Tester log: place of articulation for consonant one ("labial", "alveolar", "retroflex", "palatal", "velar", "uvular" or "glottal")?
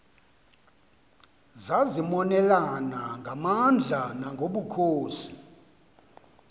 alveolar